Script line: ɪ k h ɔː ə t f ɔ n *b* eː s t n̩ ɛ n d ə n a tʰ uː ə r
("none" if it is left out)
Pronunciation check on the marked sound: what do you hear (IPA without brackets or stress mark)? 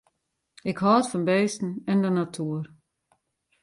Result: b